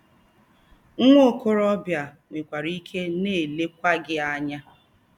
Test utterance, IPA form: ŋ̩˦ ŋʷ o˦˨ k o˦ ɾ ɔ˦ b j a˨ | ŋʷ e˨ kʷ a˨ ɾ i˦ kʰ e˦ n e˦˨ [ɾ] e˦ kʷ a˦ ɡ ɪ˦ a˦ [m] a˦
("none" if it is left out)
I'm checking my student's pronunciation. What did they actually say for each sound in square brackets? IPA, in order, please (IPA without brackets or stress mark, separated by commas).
l, ɲ